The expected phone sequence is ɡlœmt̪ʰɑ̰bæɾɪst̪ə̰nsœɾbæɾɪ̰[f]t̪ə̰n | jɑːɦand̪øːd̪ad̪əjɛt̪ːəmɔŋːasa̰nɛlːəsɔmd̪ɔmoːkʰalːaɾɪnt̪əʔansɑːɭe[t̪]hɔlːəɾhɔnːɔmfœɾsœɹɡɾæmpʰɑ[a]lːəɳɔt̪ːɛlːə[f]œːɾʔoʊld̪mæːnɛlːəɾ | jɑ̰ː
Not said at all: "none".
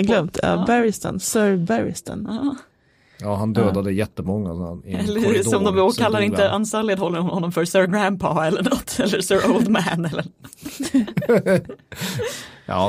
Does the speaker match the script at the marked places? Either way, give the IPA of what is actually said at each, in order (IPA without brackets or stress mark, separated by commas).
s, d̪, ɛ, s